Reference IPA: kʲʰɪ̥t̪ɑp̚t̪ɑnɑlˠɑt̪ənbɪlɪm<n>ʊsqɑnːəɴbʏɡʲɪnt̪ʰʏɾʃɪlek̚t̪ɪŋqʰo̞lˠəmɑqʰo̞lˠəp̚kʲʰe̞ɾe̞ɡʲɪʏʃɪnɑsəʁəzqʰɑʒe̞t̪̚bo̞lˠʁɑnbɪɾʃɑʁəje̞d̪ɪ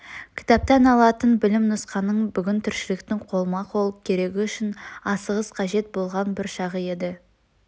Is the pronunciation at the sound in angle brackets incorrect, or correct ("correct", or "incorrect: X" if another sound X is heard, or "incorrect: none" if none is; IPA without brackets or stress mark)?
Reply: correct